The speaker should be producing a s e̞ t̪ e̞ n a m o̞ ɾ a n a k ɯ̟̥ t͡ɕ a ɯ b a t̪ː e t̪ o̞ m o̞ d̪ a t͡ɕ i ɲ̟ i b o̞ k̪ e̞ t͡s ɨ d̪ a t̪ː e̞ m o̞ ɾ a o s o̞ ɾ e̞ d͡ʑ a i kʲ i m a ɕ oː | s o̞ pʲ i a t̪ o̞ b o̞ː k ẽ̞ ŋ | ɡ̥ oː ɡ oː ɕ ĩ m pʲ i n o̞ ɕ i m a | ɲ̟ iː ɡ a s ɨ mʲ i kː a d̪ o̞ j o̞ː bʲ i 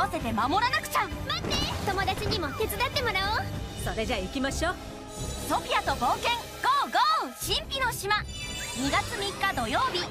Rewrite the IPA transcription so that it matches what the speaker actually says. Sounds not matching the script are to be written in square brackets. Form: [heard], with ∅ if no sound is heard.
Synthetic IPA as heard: a s e̞ t̪ e̞ [m] a m o̞ ɾ a n a k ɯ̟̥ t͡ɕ a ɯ [m] a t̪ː e t̪ o̞ m o̞ d̪ a t͡ɕ i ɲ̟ i [m] o̞ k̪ e̞ t͡s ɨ d̪ a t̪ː e̞ m o̞ ɾ a o s o̞ ɾ e̞ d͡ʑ a i kʲ i m a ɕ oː | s o̞ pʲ i a t̪ o̞ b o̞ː k ẽ̞ ŋ | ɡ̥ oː ɡ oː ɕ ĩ m pʲ i n o̞ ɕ i m a | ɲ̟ [i] ɡ a [t͡s] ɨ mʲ i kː a d̪ o̞ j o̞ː bʲ i